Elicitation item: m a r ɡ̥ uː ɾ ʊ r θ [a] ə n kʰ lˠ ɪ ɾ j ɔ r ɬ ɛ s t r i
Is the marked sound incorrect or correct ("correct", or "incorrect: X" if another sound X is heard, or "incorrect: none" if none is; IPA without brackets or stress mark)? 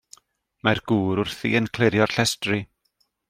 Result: incorrect: i